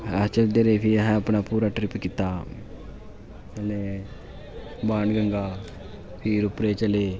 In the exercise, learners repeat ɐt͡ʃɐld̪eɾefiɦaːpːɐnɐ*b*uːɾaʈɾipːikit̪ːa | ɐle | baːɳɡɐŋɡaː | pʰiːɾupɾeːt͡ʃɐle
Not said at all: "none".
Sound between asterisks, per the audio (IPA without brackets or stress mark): p